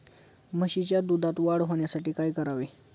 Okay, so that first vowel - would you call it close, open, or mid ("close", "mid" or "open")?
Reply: mid